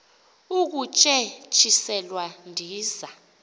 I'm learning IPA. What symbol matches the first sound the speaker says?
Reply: u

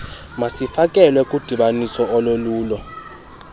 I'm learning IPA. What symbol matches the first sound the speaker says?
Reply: m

